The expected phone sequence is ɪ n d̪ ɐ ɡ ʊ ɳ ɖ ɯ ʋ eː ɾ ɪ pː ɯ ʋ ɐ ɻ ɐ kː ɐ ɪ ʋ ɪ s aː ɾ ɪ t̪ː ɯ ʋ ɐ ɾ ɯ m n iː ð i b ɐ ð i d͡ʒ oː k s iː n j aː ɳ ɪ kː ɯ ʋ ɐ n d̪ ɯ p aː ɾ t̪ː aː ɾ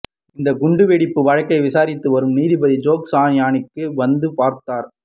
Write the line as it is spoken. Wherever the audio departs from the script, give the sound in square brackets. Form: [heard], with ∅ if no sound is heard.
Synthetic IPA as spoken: ɪ n d̪ ɐ ɡ ʊ ɳ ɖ ɯ ʋ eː [ɽ] ɪ pː ɯ ʋ ɐ ɻ ɐ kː ɐ ɪ ʋ ɪ s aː ɾ ɪ t̪ː ɯ ʋ ɐ ɾ ɯ m n iː ð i b ɐ ð i d͡ʒ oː k s [aː] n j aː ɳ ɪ kː ɯ ʋ ɐ n d̪ ɯ p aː ɾ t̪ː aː ɾ

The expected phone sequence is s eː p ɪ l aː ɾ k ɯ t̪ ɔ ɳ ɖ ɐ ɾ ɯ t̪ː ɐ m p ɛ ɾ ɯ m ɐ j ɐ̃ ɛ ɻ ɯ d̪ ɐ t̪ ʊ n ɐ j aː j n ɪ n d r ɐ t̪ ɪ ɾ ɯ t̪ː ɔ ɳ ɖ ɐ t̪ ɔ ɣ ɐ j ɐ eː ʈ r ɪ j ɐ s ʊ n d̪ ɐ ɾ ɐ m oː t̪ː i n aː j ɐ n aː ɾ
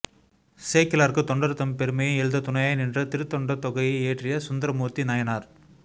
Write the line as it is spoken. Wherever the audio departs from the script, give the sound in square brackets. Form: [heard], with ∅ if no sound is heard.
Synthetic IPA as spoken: s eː [k] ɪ l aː ɾ k ɯ t̪ ɔ ɳ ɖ ɐ ɾ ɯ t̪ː ɐ m p ɛ ɾ ɯ m ɐ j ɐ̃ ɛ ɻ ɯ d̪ ɐ t̪ ʊ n ɐ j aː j n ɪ n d r ɐ t̪ ɪ ɾ ɯ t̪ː ɔ ɳ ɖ ɐ t̪ ɔ ɣ ɐ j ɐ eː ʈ r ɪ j ɐ s ʊ n d̪ ɐ ɾ ɐ m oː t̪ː i n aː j ɐ n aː ɾ

